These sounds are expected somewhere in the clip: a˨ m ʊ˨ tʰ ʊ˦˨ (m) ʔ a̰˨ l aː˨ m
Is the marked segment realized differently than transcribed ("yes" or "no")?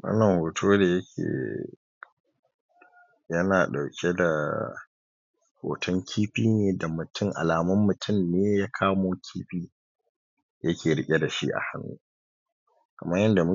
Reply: yes